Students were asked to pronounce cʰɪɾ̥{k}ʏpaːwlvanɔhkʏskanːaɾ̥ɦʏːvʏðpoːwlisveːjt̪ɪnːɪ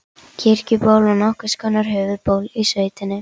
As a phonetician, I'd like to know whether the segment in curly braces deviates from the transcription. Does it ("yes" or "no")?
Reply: yes